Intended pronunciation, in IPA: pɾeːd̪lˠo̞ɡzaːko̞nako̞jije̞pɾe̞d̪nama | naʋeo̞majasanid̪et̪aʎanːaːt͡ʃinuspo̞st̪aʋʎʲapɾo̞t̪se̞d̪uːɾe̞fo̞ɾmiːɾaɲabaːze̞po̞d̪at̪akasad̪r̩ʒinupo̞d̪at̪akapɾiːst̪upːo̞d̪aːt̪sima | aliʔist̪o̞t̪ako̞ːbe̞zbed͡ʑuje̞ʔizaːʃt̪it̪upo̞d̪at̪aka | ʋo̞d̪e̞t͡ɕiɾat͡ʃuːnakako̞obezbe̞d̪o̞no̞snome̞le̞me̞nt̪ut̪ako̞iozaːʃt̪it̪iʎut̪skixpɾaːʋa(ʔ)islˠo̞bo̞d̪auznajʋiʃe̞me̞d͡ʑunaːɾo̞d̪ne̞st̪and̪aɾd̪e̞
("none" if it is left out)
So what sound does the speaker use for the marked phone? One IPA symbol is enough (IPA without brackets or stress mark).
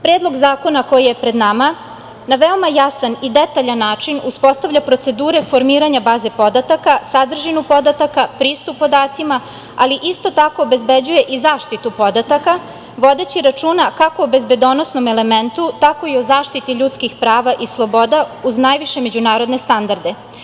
ʔ